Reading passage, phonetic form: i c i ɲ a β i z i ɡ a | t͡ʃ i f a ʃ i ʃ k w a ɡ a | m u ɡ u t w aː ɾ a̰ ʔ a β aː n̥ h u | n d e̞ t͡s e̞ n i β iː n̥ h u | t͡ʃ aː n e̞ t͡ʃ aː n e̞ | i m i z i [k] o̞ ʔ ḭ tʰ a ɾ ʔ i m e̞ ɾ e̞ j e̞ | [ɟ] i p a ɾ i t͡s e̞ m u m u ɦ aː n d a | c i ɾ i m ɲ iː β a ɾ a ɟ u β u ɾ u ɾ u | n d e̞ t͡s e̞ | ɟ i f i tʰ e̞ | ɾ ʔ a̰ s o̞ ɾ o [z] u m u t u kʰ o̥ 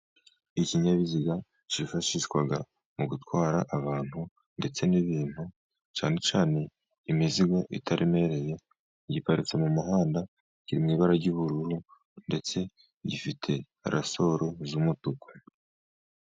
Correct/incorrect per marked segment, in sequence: incorrect, correct, correct

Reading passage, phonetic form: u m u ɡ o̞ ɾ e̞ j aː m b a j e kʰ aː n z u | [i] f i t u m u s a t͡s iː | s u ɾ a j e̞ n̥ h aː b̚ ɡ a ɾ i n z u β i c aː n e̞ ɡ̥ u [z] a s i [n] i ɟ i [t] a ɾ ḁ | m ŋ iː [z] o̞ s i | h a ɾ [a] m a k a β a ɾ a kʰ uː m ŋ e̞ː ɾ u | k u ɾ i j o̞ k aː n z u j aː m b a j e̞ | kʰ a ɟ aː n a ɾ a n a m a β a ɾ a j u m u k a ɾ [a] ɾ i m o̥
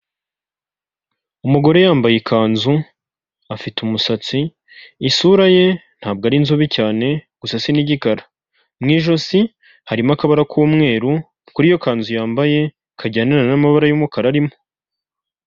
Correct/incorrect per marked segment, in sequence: incorrect, incorrect, correct, incorrect, incorrect, incorrect, correct

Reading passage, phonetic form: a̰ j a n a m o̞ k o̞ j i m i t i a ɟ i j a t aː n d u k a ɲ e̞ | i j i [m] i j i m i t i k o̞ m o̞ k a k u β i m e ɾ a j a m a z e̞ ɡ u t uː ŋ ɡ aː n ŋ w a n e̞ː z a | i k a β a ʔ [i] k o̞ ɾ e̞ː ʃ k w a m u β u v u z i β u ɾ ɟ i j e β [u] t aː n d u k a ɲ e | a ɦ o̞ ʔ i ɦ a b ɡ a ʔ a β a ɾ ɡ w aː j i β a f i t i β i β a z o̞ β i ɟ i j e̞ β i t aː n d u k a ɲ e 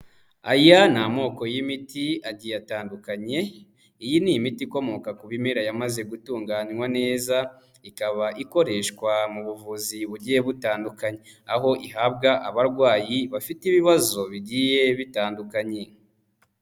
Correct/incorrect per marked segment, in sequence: incorrect, correct, correct

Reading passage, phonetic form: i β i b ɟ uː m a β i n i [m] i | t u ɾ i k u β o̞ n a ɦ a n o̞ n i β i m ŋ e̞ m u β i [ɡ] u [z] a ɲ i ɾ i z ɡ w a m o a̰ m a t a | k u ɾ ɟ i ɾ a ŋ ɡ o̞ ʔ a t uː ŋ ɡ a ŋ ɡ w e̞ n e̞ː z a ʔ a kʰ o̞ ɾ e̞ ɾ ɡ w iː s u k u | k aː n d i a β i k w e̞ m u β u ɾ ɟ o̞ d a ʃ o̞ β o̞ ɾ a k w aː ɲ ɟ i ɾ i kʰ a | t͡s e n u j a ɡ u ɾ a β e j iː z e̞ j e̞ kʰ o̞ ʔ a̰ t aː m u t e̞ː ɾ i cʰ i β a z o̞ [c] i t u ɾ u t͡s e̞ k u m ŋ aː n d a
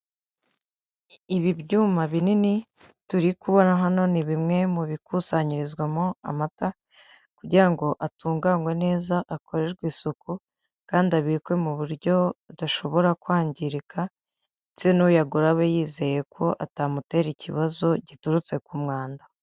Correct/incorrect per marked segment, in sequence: incorrect, incorrect, incorrect, incorrect

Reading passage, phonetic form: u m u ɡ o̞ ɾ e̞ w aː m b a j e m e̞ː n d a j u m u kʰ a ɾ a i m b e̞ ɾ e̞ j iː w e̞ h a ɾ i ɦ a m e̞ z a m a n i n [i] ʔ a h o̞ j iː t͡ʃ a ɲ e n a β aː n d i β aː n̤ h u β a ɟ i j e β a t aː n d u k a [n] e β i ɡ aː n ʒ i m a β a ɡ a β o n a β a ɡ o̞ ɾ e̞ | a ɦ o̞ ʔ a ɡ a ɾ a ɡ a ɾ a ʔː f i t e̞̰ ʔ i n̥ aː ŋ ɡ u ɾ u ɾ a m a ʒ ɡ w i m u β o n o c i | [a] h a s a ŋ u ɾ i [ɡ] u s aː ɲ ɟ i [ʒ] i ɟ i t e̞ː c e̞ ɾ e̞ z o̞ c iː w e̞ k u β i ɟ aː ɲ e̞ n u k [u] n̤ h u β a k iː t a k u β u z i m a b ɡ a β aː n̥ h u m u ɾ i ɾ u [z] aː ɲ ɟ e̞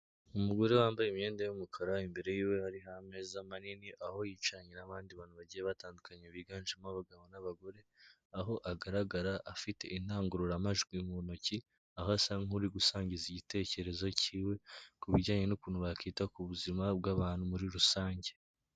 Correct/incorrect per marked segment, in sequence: correct, incorrect, correct, correct, incorrect, incorrect, incorrect

